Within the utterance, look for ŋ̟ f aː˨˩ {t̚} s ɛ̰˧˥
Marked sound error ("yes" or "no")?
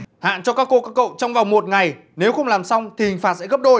no